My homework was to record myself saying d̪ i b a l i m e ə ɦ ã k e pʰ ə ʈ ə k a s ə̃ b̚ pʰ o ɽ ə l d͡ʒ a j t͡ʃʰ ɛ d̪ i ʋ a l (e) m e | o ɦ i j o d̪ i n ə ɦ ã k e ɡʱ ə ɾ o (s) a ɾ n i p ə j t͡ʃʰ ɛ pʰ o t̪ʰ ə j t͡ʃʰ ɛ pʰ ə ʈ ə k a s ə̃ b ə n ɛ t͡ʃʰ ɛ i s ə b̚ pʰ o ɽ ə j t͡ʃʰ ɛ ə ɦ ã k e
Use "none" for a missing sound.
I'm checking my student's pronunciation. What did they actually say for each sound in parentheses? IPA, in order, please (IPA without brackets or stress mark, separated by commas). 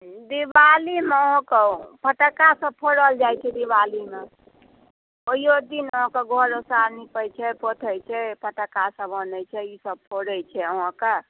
i, s